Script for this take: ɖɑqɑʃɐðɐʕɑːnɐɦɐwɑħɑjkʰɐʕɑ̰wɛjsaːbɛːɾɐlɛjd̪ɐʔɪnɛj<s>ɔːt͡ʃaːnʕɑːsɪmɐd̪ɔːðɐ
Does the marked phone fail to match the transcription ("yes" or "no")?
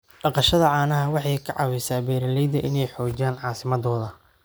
yes